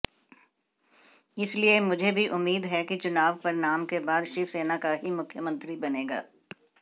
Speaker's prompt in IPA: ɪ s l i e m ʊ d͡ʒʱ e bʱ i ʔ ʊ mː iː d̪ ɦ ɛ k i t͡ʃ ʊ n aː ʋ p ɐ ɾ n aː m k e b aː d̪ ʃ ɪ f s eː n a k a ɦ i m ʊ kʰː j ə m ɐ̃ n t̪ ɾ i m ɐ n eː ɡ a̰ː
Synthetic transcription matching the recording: ɪ s l i e m ʊ d͡ʒʱ e bʱ i ʔ ʊ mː iː d̪ ɦ ɛ k i t͡ʃ ʊ n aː ʋ p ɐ ɾ n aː m k e b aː d̪ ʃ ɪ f s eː n a k a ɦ i m ʊ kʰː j ə m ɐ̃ n t̪ ɾ i b ɐ n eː ɡ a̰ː